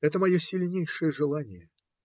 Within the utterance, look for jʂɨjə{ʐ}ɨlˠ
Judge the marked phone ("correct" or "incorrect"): correct